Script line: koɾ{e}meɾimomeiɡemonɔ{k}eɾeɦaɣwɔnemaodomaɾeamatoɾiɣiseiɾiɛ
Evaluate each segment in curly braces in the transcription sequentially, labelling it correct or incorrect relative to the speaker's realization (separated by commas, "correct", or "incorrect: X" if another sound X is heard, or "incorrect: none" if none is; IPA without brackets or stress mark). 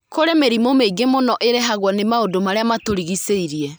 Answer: correct, incorrect: ʔ